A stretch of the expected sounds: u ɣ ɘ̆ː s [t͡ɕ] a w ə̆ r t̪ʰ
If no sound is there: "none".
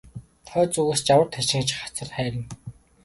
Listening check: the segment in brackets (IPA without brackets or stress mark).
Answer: t͡ɕ